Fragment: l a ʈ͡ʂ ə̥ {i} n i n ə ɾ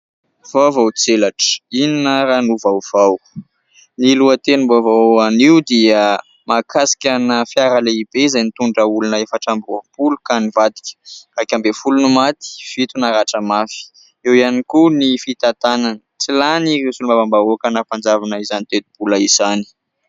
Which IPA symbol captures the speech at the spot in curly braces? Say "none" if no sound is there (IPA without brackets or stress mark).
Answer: i